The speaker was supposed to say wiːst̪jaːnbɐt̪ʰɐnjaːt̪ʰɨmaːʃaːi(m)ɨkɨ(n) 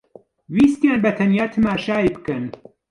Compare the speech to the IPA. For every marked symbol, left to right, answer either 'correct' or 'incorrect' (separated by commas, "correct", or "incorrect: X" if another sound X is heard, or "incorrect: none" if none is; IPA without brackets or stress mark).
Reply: incorrect: b, correct